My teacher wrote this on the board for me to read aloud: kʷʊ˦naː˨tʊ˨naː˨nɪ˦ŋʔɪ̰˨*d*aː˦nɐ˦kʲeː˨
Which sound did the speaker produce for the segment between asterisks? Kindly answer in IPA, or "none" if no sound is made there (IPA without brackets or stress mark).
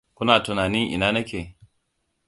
n